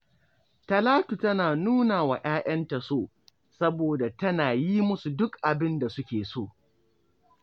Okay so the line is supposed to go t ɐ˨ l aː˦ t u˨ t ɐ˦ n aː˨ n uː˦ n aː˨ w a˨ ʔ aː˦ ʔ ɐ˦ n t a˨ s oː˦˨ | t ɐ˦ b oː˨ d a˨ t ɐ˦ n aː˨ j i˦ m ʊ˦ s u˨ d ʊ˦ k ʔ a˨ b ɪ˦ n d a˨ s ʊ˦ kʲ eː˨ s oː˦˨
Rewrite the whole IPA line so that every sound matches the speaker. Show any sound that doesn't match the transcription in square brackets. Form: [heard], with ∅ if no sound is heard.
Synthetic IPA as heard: t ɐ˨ l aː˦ t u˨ t ɐ˦ n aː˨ n uː˦ n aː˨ w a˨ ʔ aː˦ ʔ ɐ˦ n t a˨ s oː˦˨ | [s] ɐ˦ b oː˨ d a˨ t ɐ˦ n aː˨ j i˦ m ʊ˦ s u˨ d ʊ˦ k ʔ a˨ b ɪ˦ n d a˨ s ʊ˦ kʲ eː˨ s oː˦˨